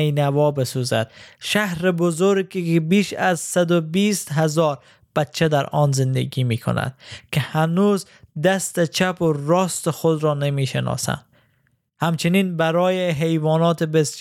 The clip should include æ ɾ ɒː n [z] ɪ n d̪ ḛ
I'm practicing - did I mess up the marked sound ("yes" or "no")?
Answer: no